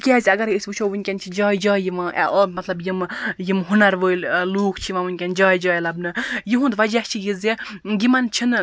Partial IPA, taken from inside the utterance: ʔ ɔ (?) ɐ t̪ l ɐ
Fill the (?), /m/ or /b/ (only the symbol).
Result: m